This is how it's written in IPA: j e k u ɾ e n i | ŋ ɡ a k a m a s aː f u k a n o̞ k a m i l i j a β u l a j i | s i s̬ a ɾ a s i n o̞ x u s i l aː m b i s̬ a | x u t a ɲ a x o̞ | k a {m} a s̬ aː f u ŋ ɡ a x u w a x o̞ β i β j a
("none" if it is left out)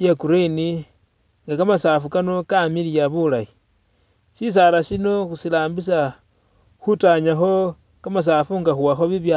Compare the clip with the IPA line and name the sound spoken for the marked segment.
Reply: m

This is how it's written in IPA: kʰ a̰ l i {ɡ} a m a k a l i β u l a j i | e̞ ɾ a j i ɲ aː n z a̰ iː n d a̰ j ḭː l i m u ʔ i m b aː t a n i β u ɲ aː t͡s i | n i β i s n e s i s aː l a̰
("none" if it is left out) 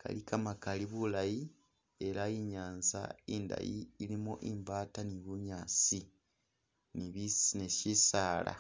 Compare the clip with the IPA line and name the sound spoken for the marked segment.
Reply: k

